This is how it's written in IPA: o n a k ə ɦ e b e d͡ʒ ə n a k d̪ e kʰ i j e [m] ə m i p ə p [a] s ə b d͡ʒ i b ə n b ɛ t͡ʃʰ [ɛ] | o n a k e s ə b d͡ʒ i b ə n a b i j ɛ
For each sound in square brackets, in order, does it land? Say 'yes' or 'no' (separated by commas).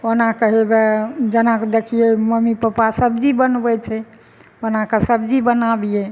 yes, yes, yes